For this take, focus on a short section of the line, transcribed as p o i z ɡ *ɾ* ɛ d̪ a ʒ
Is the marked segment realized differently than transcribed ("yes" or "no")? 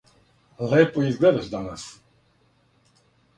yes